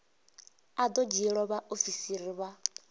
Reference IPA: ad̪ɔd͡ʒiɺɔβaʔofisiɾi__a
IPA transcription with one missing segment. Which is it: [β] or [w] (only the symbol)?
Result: β